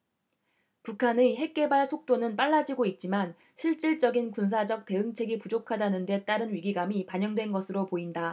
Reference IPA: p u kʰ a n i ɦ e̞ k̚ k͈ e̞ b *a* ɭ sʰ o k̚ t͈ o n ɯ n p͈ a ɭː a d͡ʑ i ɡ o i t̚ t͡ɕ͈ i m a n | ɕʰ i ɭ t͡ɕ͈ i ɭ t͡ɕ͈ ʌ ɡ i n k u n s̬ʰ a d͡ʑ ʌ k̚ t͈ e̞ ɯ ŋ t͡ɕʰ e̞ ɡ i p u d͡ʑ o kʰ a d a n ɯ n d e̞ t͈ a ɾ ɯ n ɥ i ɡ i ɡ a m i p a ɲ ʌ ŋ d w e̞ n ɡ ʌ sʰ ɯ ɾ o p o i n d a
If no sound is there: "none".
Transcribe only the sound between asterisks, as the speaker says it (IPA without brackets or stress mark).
a